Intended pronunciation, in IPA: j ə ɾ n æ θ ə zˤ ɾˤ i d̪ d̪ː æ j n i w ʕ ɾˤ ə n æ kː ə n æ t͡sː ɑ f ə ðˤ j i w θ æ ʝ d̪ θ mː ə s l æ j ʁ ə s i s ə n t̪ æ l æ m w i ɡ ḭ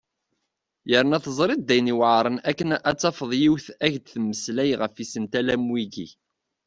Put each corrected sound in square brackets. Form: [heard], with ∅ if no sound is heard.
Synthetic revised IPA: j ə ɾ n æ θ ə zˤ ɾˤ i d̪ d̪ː æ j n i w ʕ ɾˤ ə n æ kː ə n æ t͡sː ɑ f ə ðˤ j i w θ æ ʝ d̪ θ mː ə s l æ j ʁ ə [f] i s ə n t̪ æ l æ m w i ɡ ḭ